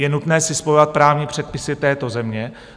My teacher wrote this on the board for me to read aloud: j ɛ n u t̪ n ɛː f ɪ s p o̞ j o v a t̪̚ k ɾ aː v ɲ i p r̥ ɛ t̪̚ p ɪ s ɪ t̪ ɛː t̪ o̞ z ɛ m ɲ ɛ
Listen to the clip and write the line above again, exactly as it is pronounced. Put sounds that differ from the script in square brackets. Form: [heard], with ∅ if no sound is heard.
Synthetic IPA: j ɛ n u t̪ n ɛː [s] ɪ s p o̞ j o v a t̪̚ [p] ɾ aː v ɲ i p r̥ ɛ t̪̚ p ɪ s ɪ t̪ ɛː t̪ o̞ z ɛ m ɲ ɛ